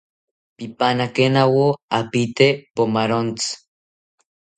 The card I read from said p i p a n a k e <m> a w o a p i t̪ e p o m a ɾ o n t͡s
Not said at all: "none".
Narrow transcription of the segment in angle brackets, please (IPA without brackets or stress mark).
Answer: n